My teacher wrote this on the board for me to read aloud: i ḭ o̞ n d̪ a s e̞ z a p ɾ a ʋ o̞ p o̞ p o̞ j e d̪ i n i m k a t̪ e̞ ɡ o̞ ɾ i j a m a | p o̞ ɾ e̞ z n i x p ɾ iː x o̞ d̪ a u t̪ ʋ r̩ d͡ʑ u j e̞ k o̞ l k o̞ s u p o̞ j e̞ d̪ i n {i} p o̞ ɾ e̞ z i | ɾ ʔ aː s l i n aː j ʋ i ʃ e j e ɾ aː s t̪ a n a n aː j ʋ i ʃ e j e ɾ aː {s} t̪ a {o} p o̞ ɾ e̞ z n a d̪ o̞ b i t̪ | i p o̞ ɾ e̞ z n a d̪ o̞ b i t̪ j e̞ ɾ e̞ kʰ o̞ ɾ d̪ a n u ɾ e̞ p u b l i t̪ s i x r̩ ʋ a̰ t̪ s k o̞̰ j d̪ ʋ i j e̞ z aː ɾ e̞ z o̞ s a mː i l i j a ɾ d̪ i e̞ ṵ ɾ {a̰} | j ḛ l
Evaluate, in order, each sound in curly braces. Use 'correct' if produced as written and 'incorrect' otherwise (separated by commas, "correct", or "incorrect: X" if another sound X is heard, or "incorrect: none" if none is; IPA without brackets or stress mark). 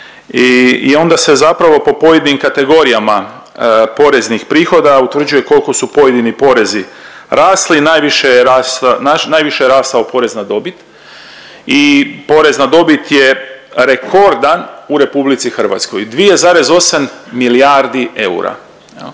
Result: correct, correct, correct, correct